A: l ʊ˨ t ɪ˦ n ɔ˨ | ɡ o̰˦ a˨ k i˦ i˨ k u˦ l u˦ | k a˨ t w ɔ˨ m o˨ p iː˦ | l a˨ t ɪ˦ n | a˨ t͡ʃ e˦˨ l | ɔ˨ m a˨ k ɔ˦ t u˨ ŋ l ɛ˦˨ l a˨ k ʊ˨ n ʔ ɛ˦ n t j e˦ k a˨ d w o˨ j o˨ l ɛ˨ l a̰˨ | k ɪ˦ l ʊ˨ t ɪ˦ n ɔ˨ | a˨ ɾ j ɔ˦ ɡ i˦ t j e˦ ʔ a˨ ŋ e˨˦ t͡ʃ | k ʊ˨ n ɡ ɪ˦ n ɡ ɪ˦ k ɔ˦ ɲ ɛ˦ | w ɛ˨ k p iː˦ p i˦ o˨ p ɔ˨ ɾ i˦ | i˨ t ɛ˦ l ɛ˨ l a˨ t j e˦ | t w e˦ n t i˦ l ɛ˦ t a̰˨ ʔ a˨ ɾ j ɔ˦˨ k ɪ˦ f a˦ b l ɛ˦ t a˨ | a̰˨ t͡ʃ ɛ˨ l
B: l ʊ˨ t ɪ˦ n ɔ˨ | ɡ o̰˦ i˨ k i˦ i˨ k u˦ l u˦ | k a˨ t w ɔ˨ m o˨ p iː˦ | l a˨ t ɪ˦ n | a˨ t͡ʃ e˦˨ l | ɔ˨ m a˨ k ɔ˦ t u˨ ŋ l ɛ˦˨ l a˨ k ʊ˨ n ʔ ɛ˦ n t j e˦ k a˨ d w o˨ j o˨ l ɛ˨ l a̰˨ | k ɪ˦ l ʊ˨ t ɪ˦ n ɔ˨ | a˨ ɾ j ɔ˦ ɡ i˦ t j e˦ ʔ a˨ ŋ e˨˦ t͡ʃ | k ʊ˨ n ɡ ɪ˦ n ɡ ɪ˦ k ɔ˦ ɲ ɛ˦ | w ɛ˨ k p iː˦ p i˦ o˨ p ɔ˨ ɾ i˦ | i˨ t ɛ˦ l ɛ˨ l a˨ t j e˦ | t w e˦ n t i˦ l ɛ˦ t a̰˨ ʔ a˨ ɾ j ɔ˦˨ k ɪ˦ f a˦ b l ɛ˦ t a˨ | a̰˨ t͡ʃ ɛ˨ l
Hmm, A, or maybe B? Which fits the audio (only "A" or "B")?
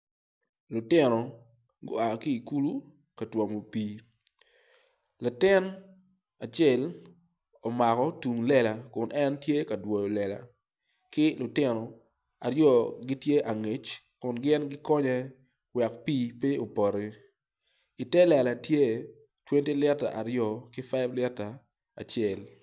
A